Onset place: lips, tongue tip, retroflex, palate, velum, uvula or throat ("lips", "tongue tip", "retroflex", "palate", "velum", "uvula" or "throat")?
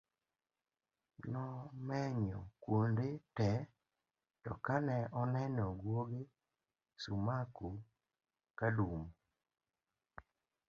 tongue tip